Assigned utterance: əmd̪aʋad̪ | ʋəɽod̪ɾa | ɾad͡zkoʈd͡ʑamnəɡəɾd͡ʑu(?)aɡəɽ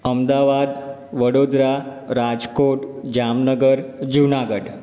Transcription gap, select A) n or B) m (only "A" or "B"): A